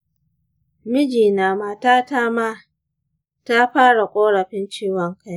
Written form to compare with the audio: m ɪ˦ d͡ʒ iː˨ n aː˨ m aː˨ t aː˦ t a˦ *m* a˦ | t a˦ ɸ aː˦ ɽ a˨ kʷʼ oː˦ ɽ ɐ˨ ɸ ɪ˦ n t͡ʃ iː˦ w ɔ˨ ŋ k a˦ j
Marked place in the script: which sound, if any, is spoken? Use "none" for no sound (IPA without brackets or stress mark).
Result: m